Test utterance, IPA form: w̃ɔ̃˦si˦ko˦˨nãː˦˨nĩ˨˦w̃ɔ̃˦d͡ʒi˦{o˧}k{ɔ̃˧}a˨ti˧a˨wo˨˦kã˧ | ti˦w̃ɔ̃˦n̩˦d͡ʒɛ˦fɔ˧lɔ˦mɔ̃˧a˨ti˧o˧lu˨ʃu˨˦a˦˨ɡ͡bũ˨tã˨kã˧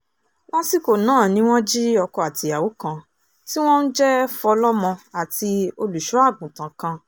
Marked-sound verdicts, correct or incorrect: incorrect, incorrect

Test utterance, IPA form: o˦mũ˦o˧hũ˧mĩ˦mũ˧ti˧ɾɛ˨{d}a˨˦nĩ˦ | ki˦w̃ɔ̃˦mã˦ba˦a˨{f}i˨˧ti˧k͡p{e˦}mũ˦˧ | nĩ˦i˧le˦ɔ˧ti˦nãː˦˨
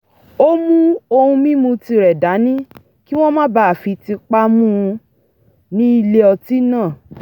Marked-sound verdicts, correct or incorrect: correct, correct, incorrect

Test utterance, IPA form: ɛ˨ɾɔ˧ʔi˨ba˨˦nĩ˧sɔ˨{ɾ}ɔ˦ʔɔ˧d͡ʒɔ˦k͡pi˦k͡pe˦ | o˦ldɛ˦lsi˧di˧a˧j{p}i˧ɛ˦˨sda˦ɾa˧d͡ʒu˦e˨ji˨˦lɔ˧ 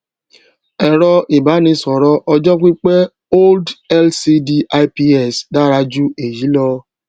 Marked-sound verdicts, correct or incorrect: correct, correct

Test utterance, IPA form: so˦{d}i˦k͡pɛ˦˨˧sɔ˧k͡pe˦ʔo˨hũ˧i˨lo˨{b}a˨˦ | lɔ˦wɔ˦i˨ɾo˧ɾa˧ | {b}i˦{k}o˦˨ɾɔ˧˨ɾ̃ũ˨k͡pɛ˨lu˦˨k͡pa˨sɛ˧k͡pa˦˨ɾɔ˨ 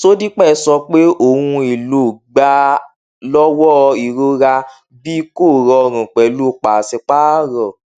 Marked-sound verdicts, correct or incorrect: correct, incorrect, correct, correct

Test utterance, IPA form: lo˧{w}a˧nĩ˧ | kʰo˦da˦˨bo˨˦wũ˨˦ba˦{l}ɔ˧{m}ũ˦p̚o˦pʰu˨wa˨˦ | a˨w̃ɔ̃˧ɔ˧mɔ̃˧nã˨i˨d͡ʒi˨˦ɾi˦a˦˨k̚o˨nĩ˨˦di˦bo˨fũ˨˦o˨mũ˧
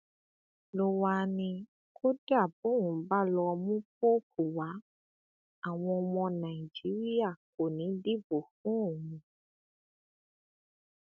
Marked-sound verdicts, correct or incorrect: correct, correct, correct

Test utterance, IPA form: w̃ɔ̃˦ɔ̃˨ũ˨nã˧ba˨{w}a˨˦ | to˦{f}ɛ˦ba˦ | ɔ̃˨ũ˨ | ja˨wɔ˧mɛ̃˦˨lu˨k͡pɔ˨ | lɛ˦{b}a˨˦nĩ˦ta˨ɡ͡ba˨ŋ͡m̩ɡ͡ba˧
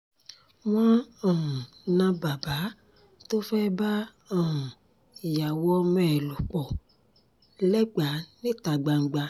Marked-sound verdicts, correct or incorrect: incorrect, correct, incorrect

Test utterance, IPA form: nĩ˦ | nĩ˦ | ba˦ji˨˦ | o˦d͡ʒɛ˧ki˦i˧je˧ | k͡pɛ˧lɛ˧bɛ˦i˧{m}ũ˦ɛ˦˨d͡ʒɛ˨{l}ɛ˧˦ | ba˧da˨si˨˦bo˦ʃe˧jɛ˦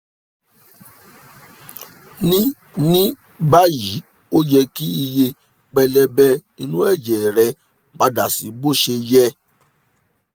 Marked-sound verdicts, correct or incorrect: incorrect, incorrect

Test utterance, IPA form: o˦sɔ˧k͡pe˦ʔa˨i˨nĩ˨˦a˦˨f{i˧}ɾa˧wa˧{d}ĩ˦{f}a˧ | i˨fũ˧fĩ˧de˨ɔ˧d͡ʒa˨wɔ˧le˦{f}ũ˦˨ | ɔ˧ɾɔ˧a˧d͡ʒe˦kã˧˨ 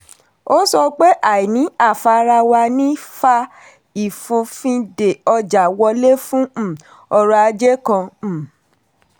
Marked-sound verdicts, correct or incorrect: incorrect, incorrect, correct, correct

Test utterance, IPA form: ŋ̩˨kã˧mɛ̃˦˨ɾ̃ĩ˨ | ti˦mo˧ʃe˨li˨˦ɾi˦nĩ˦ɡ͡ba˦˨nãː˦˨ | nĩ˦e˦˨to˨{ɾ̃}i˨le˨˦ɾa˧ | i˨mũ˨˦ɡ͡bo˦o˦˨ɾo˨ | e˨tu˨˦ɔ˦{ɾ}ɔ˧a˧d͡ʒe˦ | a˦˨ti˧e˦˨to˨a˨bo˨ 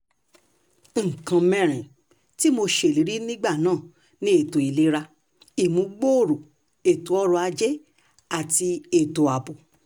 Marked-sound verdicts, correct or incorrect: incorrect, correct

